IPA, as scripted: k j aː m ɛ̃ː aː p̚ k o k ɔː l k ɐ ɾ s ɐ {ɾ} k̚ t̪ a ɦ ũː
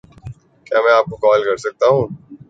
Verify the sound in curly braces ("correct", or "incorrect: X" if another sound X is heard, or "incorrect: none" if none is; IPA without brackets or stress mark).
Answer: incorrect: none